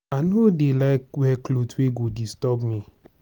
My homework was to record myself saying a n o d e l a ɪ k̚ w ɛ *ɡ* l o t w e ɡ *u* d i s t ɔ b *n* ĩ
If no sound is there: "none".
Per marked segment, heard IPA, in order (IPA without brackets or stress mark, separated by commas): k, o, m